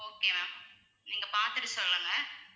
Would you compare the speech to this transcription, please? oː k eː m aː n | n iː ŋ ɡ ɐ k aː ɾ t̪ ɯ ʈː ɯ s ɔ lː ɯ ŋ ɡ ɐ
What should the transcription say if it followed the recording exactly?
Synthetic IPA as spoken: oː k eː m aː m | n iː ŋ ɡ ɐ p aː ɾ t̪ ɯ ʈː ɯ s ɔ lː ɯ ŋ ɡ ɐ